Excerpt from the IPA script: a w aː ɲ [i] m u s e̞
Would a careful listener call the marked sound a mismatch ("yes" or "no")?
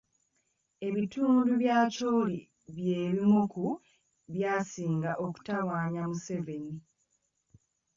yes